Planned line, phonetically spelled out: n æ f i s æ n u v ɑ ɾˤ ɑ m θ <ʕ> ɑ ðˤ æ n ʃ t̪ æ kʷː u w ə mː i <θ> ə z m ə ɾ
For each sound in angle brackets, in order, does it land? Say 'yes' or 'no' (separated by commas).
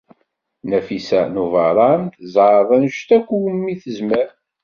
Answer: no, yes